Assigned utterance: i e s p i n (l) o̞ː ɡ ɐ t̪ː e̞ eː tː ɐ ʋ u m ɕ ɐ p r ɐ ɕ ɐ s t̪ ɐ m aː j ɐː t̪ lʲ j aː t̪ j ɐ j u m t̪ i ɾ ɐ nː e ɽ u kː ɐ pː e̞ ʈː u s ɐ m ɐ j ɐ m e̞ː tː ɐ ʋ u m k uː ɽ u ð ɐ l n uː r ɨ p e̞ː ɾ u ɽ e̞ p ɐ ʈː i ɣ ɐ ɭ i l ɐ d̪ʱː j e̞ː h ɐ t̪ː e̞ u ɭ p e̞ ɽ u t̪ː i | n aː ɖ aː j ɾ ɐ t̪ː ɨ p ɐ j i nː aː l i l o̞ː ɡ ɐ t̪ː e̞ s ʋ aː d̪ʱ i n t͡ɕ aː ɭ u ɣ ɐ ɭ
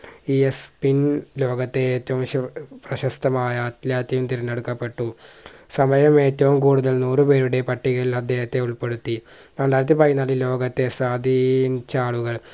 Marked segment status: correct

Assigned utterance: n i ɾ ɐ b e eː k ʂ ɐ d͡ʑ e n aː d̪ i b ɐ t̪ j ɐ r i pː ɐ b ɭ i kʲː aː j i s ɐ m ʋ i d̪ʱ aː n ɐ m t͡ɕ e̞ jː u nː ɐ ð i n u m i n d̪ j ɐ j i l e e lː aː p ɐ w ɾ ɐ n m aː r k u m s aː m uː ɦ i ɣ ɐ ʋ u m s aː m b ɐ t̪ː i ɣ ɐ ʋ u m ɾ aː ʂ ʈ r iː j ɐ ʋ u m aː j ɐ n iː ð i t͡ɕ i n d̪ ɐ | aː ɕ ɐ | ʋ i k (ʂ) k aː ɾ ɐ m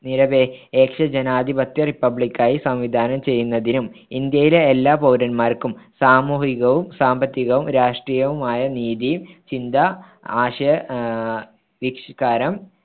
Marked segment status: correct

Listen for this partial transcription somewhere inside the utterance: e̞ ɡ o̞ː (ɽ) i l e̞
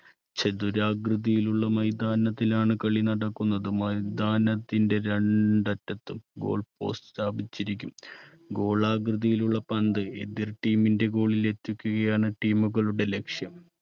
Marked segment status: incorrect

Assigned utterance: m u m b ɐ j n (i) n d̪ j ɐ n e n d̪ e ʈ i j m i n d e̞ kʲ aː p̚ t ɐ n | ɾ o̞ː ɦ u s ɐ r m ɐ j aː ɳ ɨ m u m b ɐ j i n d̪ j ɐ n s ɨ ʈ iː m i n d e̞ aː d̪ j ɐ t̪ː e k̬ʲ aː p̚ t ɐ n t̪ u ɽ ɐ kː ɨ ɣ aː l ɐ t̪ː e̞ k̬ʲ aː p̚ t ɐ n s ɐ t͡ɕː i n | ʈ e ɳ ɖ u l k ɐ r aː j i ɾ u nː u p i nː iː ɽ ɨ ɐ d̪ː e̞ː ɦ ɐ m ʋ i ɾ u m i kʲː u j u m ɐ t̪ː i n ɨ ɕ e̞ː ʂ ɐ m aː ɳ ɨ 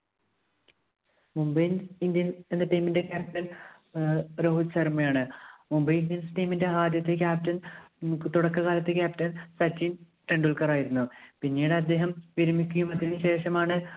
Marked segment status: correct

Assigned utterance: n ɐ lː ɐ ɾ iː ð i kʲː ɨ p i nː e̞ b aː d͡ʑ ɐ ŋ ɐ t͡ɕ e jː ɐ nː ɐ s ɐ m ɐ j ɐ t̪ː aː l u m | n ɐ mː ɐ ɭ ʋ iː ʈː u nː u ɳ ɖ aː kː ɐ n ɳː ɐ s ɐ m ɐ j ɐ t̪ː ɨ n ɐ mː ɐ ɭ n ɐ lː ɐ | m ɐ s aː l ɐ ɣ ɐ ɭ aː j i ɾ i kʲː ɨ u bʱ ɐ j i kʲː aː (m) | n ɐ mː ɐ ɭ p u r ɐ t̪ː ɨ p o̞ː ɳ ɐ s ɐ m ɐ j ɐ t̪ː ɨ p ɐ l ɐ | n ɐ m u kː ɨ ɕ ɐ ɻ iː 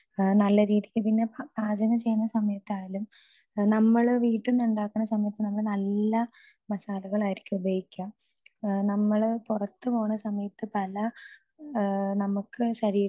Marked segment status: correct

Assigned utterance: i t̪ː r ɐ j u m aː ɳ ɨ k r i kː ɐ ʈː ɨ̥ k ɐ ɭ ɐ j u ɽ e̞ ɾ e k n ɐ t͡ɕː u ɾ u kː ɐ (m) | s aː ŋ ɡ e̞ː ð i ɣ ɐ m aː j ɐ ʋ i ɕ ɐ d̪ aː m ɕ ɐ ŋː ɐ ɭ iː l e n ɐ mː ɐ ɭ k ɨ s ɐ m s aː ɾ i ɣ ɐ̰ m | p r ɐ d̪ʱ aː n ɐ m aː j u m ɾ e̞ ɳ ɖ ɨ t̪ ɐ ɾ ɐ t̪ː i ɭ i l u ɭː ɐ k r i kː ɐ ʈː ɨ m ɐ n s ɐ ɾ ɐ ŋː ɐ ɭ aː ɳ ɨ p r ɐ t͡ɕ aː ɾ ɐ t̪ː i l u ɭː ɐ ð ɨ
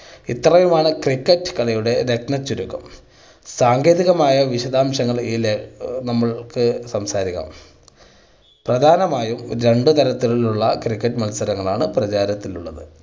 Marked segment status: correct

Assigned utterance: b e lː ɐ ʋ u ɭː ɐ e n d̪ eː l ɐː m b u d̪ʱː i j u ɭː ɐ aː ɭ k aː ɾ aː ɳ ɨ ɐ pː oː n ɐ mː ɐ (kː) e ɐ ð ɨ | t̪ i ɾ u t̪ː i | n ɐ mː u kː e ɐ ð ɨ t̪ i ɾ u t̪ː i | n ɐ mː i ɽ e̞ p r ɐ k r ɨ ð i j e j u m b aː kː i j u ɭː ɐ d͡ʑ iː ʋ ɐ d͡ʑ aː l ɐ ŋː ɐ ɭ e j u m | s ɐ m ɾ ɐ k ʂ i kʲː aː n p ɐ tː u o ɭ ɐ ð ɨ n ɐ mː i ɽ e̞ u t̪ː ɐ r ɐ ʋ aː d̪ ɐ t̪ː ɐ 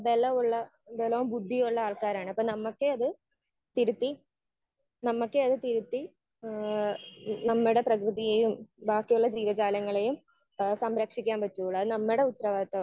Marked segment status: correct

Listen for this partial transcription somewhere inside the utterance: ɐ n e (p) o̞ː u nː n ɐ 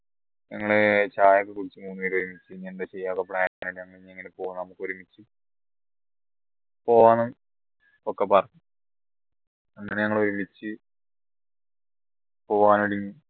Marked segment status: correct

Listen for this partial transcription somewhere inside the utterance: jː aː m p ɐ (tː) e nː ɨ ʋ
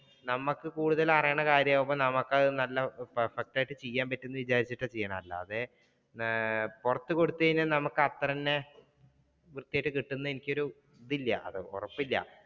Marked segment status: correct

